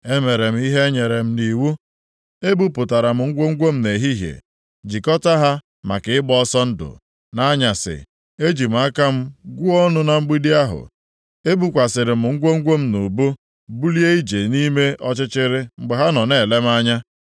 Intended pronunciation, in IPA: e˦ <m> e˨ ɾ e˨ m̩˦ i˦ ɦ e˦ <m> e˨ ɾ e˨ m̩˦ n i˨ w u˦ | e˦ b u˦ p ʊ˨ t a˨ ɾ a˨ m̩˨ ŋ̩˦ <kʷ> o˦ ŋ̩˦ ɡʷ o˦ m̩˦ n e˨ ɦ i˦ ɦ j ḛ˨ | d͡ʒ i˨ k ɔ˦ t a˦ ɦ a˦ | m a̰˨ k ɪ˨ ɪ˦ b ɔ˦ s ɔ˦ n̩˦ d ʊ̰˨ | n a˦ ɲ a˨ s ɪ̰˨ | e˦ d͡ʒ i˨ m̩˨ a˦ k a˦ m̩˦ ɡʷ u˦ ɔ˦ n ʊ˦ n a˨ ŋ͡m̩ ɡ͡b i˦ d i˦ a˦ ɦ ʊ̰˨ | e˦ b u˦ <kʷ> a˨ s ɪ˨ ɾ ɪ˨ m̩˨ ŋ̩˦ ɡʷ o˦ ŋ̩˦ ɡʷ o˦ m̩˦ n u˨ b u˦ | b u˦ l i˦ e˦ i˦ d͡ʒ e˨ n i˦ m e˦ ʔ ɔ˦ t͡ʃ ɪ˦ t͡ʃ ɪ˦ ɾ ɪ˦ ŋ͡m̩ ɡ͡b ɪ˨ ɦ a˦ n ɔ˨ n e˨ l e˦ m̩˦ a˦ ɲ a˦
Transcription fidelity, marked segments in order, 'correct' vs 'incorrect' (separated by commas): correct, incorrect, incorrect, correct